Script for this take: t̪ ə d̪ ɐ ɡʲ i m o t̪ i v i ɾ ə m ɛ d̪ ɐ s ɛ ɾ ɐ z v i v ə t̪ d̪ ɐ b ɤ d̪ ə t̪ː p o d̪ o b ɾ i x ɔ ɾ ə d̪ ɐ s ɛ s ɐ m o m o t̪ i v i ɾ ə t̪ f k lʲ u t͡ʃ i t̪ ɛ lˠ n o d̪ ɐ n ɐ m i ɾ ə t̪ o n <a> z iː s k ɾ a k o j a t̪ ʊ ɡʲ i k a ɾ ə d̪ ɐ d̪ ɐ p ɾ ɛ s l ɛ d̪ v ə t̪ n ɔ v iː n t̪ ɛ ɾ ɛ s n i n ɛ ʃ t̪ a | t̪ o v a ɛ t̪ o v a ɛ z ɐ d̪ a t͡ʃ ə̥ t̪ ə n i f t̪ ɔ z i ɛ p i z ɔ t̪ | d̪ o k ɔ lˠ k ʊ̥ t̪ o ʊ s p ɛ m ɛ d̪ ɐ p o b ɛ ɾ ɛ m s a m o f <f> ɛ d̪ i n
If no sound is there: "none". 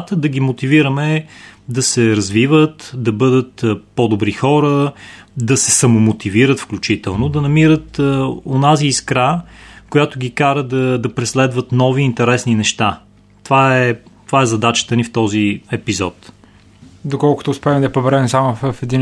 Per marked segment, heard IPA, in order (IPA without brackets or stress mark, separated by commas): a, f